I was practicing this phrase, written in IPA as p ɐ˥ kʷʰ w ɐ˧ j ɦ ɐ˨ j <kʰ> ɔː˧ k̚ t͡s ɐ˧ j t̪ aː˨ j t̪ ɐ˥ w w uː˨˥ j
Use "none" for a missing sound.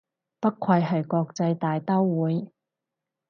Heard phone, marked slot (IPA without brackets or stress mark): k